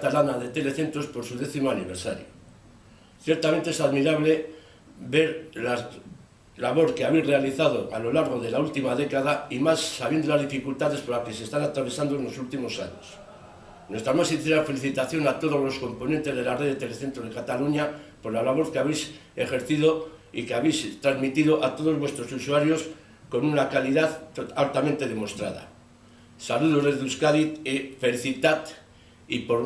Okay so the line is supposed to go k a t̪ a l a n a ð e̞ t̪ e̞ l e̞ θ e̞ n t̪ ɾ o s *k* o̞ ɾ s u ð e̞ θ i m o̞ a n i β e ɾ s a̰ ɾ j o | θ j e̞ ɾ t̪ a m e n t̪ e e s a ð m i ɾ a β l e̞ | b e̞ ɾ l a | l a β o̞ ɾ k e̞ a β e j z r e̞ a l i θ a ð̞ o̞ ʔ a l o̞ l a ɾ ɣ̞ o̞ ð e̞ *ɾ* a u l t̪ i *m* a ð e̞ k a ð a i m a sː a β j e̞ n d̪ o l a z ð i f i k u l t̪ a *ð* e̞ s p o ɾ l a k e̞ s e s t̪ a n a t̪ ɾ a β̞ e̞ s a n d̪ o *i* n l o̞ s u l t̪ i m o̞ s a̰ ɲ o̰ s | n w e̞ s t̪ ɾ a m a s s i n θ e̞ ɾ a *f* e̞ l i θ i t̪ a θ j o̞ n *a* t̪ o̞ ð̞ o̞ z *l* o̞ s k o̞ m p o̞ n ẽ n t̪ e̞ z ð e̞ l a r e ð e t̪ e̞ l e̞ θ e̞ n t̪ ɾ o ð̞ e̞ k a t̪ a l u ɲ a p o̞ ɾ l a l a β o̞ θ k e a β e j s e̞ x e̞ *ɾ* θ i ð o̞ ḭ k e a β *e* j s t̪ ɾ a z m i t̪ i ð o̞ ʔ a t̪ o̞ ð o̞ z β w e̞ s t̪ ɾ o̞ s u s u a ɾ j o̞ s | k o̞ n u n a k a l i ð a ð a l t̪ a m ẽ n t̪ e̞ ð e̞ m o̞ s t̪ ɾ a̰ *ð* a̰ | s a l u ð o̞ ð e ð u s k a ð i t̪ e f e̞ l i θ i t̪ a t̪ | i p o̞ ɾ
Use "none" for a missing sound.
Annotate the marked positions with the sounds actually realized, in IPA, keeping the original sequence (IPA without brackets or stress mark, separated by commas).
p, l, m, ð, e, f, a, l, ɾ, e, ð